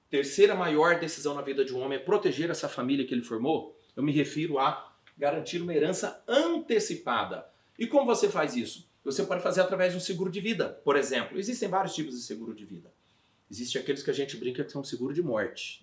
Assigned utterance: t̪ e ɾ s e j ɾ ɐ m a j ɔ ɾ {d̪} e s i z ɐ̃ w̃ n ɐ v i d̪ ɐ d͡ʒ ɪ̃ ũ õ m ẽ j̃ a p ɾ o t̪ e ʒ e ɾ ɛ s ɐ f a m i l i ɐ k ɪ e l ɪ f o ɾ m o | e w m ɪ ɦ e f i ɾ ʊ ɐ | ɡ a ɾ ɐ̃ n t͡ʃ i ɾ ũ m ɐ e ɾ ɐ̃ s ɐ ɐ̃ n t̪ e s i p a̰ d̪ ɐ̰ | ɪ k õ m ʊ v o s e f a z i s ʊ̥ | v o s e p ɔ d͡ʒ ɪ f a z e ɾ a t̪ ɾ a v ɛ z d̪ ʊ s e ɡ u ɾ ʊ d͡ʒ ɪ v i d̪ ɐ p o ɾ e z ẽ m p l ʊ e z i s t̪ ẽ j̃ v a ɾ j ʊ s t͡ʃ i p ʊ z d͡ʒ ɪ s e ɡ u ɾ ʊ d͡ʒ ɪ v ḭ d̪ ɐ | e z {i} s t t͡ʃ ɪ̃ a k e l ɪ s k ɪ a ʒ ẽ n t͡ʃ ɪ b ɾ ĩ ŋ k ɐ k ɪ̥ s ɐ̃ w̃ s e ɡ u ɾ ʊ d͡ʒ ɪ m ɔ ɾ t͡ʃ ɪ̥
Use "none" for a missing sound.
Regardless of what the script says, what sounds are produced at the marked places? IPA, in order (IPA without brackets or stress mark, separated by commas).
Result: d̪, i